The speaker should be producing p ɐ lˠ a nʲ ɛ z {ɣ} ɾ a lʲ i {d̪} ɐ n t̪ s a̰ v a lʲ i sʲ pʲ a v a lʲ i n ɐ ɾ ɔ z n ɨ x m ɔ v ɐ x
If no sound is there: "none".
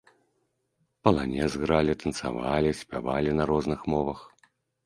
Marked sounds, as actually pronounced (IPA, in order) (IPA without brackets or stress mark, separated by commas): ɣ, t̪